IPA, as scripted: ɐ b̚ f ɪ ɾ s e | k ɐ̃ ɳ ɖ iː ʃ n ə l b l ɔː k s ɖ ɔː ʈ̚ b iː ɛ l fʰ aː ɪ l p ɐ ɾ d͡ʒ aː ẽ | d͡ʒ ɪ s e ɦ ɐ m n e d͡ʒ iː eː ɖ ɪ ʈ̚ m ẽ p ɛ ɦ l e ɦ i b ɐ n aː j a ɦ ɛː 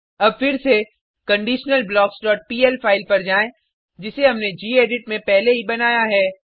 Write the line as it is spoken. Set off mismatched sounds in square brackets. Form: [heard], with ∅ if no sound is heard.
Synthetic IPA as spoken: ɐ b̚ f ɪ ɾ s e | k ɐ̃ ɳ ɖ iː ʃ n ə l b l ɔː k s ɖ ɔː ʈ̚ [p] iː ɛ l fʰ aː ɪ l p ɐ ɾ d͡ʒ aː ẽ | d͡ʒ ɪ s e ɦ ɐ m n e d͡ʒ iː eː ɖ ɪ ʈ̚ m ẽ p ɛ ɦ l e ɦ i b ɐ n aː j a ɦ ɛː